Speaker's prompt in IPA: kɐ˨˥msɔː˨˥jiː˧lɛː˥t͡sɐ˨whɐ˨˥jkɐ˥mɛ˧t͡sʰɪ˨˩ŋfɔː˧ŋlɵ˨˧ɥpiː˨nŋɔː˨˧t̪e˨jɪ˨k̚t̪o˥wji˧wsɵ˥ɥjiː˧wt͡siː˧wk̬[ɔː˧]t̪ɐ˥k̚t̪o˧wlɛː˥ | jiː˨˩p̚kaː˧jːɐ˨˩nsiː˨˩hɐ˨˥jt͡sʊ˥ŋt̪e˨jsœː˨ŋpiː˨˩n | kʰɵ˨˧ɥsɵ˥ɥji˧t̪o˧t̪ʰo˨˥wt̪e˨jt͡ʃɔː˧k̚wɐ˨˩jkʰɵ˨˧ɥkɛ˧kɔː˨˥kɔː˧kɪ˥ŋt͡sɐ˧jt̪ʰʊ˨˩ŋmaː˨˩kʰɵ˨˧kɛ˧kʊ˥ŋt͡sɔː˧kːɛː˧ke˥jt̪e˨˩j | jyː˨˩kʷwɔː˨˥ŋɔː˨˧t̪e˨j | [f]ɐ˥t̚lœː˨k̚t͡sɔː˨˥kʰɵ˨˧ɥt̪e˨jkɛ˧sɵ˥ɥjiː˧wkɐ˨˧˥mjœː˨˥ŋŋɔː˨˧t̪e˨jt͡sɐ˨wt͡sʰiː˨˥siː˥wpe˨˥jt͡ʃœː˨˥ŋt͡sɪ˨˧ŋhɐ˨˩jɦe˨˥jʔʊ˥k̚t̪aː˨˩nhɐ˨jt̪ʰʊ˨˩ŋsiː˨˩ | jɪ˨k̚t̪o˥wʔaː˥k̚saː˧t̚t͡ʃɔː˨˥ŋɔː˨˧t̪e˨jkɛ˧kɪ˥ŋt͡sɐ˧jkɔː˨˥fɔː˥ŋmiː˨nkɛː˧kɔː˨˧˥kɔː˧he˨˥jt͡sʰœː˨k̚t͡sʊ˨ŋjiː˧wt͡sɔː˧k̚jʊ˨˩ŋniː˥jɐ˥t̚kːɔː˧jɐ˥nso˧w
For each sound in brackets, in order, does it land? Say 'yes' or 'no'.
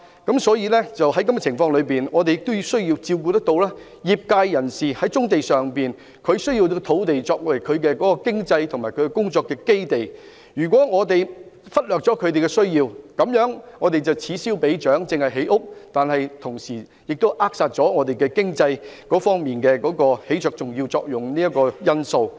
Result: no, yes

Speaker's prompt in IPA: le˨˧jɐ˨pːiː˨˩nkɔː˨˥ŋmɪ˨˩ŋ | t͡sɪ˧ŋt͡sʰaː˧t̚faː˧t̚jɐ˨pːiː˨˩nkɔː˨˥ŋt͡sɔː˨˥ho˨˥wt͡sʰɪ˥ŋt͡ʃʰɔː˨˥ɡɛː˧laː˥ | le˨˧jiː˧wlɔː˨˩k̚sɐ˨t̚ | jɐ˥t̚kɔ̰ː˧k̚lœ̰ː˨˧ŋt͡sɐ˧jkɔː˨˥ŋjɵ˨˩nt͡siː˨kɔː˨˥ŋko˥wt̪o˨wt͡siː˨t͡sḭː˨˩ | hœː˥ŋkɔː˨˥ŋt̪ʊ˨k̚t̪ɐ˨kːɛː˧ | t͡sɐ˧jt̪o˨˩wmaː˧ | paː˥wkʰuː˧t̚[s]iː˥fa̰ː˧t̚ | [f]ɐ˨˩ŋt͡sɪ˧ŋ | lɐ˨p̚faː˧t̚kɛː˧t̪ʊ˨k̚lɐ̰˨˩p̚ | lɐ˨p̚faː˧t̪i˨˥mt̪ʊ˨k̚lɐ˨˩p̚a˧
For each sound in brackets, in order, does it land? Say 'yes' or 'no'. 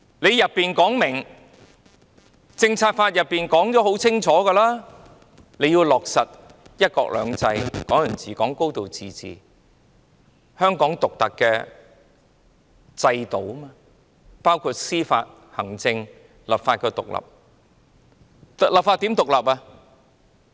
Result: yes, no

